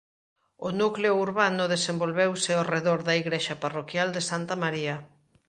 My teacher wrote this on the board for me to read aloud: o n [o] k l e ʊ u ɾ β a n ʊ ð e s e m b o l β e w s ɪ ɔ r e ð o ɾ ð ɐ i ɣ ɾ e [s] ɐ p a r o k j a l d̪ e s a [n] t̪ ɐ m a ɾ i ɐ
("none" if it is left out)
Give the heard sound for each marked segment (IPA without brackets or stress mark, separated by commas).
u, ʃ, n